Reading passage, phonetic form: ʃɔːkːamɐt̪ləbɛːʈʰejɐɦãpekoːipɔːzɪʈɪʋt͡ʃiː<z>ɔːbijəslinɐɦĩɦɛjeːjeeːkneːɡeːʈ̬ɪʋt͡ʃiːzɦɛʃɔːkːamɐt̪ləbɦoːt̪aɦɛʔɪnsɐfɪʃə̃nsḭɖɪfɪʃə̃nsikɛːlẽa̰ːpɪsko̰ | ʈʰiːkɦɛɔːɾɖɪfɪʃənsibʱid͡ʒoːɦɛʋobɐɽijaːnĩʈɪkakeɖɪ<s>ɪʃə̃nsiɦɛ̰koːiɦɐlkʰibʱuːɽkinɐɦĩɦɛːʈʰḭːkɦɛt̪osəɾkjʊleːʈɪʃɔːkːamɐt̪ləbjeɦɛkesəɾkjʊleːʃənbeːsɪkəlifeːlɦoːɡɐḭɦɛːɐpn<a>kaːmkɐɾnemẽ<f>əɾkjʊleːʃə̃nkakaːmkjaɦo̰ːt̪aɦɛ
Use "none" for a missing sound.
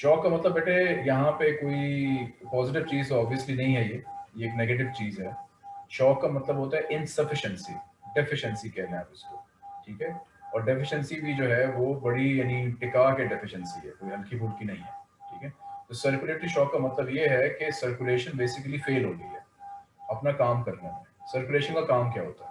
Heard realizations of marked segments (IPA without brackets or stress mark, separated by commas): z, f, a, s